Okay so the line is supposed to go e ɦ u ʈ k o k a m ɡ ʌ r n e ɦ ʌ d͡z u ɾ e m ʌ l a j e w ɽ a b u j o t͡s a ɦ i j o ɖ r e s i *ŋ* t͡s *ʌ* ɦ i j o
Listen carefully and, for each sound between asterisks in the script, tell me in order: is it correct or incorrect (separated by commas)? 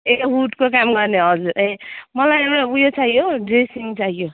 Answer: correct, incorrect